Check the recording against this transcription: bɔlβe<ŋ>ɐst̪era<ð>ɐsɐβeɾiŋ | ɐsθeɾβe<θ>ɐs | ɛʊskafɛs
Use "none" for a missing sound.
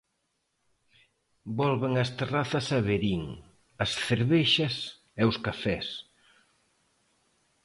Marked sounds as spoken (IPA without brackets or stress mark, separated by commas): ŋ, θ, ʃ